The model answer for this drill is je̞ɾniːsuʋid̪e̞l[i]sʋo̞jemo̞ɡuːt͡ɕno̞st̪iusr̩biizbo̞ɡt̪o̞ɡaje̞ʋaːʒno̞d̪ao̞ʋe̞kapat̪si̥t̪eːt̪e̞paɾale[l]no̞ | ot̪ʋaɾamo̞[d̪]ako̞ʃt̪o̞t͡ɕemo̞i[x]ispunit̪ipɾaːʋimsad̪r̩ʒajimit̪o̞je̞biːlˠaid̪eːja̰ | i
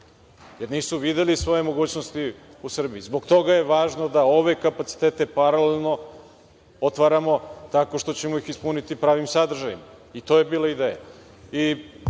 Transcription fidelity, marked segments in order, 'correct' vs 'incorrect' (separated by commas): correct, correct, incorrect, correct